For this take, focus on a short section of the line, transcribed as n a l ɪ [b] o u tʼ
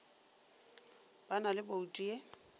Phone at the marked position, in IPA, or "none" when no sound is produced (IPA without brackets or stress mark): b